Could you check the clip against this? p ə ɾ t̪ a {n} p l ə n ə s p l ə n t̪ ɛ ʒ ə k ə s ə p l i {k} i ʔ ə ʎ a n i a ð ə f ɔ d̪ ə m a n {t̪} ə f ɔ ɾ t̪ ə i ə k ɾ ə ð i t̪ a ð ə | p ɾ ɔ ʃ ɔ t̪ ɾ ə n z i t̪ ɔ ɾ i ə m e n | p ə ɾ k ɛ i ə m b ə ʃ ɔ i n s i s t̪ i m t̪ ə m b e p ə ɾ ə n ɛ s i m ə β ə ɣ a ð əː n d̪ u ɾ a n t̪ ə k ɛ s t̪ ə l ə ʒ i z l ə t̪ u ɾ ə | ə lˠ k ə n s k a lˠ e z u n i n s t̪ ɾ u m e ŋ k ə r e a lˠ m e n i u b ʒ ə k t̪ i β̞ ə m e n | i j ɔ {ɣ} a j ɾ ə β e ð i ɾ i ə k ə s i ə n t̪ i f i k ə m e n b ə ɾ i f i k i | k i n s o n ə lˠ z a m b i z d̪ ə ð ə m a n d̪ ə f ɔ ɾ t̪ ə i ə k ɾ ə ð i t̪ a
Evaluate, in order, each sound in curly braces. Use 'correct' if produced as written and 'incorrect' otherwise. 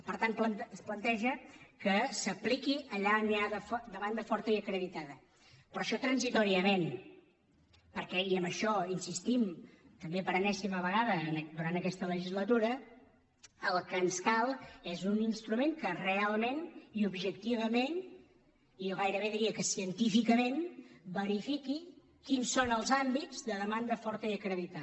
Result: correct, correct, incorrect, correct

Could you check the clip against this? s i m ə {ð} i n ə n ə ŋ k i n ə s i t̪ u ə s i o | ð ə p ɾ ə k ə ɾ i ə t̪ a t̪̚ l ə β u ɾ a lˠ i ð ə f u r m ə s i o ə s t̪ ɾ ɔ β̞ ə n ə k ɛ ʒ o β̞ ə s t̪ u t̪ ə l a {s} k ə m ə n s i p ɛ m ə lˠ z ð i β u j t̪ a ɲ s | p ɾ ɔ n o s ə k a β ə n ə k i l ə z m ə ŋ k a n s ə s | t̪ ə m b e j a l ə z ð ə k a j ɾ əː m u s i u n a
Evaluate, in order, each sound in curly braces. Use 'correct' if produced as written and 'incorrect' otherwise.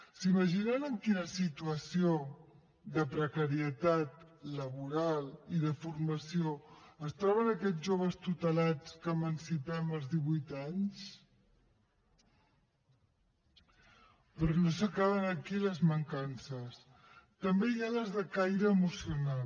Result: incorrect, incorrect

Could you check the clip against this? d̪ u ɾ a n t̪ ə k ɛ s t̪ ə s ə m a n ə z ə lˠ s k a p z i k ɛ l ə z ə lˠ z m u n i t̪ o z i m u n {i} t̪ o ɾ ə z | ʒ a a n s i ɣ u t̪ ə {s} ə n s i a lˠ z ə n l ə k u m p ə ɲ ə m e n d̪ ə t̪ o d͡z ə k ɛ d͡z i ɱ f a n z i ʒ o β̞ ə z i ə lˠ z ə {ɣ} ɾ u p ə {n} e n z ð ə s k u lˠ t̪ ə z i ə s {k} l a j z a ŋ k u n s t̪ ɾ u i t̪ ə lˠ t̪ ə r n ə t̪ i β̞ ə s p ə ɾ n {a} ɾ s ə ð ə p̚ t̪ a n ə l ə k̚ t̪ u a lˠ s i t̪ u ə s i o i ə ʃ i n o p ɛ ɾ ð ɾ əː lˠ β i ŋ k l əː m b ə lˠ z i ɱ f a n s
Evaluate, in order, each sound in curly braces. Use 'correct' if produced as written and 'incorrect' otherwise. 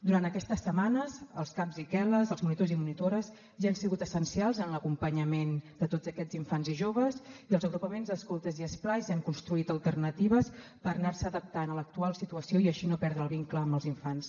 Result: correct, correct, correct, incorrect, incorrect, correct

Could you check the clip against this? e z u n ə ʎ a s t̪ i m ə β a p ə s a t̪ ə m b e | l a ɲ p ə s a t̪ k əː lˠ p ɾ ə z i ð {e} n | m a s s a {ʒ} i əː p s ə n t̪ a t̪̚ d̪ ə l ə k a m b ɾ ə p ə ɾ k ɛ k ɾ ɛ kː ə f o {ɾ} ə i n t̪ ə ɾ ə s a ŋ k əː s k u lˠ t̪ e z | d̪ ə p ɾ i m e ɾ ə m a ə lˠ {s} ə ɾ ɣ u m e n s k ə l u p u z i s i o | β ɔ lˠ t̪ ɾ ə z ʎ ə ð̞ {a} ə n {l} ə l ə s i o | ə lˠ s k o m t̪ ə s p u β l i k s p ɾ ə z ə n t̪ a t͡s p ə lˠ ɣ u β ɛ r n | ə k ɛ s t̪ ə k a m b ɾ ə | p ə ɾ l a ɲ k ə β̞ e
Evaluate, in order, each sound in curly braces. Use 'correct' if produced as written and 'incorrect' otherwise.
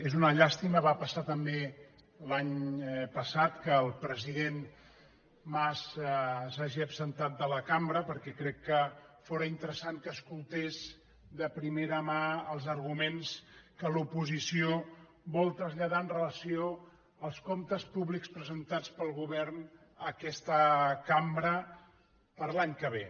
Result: correct, correct, correct, incorrect, correct, incorrect

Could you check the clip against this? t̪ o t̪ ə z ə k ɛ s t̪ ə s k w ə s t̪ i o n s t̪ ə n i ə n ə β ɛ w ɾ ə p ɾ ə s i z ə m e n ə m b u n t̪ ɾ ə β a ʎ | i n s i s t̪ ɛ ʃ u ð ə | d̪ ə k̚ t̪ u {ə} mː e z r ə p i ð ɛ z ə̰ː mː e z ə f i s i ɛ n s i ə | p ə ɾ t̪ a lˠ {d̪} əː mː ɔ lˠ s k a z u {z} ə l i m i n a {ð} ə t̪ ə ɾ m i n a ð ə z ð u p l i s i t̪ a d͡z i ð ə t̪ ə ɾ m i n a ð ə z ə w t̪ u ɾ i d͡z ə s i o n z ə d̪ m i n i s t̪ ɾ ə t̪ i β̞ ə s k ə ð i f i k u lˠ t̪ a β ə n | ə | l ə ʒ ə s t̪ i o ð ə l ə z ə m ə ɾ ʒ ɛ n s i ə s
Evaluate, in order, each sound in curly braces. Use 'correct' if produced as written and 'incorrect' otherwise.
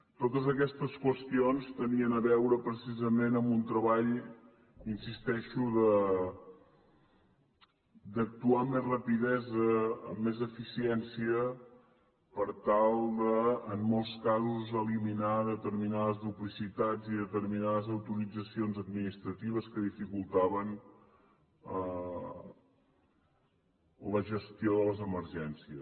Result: incorrect, correct, correct, correct

